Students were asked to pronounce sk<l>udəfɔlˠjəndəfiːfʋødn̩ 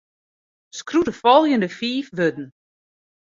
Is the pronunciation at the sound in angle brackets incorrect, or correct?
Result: incorrect